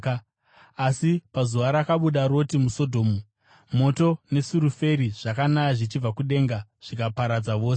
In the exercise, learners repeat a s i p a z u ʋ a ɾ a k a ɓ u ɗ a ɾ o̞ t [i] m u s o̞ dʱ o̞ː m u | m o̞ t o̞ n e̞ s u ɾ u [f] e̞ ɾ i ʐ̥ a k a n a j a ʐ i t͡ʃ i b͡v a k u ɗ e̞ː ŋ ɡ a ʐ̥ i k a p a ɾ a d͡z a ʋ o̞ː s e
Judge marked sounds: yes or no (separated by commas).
yes, yes